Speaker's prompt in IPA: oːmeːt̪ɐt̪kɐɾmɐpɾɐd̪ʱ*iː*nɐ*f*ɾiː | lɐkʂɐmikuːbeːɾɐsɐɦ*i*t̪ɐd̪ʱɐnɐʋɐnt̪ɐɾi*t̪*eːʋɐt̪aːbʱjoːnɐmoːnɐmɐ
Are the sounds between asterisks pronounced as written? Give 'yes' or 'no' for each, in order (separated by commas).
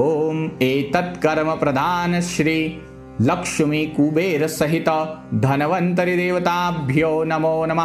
no, no, yes, no